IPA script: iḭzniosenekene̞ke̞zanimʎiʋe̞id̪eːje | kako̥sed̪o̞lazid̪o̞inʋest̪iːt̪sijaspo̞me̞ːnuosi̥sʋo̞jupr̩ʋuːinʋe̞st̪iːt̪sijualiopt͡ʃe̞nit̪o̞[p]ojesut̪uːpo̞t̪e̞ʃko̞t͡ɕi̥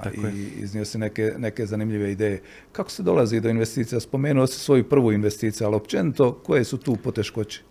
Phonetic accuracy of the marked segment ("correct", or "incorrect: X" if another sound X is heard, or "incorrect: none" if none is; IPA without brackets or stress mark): incorrect: k